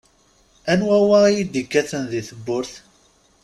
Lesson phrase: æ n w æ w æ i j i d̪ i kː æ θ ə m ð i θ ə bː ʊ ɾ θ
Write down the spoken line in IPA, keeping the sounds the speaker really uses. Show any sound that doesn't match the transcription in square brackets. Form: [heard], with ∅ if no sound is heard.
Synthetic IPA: æ n w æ w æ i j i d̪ i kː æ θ ə [n] ð i θ ə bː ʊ ɾ θ